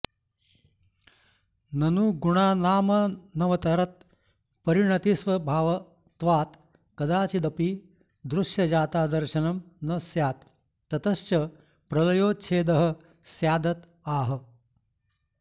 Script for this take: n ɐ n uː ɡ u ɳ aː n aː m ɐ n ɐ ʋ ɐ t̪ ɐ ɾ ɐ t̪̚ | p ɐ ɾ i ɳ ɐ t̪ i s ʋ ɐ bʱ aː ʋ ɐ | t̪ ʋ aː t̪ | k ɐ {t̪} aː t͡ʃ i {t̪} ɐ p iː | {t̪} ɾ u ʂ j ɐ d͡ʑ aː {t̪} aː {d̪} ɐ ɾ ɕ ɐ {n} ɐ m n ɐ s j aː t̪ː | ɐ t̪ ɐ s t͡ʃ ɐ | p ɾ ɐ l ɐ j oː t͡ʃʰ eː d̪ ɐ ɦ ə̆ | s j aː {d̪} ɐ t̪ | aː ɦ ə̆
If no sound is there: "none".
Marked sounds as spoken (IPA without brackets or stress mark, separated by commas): d̪, d̪, d̪, t̪, d̪, n, d̪